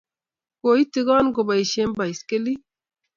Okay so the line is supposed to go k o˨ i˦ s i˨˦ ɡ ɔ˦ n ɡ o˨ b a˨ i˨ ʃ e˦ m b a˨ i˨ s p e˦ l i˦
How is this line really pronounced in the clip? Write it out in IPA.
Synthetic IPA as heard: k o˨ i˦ t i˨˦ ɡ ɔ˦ n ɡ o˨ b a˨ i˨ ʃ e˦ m b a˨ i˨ s k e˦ l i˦